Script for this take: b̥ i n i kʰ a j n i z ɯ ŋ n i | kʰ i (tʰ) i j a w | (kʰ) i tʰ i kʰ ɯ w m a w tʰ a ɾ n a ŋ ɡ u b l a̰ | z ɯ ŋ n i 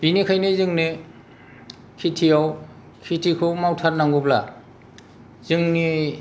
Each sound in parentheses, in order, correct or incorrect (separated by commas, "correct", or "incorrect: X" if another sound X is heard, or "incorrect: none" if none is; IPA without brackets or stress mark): correct, correct